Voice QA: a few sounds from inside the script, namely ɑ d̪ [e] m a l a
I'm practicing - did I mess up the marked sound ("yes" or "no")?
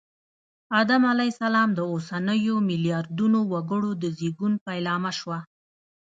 yes